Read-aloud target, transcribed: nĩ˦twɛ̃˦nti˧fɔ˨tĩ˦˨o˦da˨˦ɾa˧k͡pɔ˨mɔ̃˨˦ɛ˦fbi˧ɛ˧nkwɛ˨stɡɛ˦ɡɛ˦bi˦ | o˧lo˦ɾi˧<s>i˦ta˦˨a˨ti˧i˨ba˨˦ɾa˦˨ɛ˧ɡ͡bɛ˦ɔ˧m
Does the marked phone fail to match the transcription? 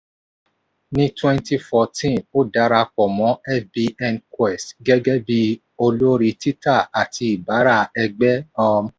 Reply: yes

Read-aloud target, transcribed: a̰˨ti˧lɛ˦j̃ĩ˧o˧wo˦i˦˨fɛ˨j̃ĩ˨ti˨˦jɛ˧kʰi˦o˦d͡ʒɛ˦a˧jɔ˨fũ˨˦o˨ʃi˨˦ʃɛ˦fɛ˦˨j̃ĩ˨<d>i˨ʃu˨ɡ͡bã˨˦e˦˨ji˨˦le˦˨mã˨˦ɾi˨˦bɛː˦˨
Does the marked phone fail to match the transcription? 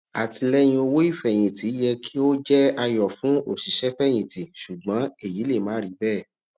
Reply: yes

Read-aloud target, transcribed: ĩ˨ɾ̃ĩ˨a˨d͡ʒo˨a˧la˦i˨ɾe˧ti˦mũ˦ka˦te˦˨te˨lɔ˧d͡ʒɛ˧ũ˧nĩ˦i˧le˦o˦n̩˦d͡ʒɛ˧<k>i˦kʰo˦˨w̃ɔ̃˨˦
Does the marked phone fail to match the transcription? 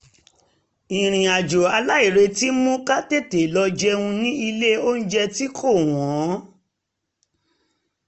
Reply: yes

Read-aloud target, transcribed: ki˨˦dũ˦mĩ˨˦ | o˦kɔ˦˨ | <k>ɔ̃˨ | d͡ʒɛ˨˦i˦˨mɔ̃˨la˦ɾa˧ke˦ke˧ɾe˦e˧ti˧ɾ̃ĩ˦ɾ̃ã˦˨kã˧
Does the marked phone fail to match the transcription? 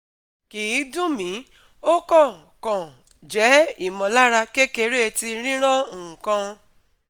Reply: no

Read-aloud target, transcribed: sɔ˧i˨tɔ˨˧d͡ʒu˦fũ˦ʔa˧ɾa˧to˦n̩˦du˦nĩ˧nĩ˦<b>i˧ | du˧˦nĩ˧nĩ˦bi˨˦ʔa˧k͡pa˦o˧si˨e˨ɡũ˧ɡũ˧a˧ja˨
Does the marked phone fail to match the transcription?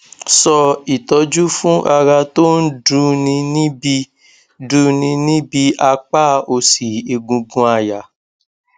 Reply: no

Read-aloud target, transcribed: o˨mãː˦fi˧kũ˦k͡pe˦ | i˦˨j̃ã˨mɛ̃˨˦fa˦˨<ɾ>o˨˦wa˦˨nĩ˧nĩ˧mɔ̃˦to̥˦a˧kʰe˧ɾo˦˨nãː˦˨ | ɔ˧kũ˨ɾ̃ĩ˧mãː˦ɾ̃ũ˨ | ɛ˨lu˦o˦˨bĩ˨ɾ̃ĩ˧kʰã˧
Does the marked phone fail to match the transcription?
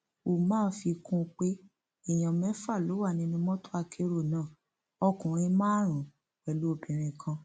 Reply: yes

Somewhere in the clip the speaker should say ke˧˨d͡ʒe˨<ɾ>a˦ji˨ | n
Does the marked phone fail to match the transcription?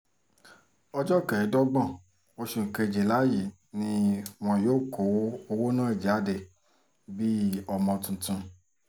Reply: yes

